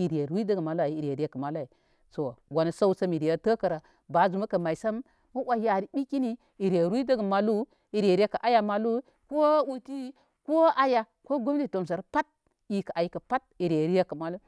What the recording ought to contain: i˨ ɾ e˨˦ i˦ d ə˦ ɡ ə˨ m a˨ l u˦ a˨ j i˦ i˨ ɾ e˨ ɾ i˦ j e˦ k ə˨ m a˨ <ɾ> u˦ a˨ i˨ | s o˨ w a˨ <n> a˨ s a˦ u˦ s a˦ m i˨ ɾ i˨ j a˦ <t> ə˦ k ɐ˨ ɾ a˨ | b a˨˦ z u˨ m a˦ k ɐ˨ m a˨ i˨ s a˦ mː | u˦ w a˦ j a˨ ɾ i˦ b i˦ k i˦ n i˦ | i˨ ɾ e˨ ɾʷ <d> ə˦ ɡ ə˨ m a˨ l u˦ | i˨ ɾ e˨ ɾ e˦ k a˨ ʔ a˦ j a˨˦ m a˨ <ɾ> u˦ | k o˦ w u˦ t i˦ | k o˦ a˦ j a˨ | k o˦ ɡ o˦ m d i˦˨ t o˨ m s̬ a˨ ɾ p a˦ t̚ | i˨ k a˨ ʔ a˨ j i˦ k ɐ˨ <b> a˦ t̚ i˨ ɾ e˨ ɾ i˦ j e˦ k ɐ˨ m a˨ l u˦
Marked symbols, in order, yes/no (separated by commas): no, yes, yes, yes, no, no